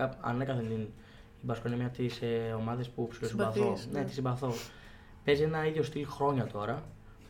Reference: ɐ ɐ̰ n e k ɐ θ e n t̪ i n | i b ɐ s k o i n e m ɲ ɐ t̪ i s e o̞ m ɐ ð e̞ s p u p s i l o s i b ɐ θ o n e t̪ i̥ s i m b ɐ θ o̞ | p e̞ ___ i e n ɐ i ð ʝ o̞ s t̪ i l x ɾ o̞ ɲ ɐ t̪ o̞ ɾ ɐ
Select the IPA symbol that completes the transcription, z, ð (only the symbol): z